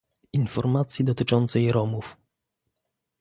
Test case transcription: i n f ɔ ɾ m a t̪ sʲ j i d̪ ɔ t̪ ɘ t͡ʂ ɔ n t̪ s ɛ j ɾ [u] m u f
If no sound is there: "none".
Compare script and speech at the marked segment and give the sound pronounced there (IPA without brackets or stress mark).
ɔ